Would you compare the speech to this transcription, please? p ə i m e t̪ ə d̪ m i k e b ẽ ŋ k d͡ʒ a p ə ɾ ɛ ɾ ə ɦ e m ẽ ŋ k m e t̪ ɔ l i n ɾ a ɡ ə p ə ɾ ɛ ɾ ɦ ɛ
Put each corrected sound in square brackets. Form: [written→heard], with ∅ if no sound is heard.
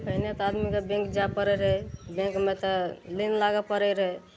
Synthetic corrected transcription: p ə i [m→n] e t̪ [ə→a] d̪ m i k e b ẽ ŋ k d͡ʒ a p ə ɾ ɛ ɾ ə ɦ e [m→b] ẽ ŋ k m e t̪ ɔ l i n [ɾ→l] a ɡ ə p ə ɾ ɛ ɾ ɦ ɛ